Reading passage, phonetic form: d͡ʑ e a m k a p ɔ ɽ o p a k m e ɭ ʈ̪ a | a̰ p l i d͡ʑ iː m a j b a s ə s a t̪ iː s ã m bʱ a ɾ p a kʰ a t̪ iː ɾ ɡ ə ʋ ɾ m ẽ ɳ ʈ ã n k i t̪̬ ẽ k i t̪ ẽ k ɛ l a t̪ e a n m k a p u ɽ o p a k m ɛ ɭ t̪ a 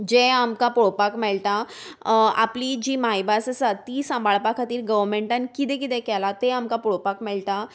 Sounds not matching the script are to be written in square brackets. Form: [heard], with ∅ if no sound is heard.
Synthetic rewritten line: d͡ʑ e a m k a p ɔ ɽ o p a k m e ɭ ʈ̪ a | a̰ p l i d͡ʑ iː m a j b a s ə s a t̪ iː s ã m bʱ a [ɭ] p a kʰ a t̪ iː ɾ ɡ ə ʋ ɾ m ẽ ɳ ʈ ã n k i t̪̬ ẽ k i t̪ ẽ k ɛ l a t̪ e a [∅] m k a p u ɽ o p a k m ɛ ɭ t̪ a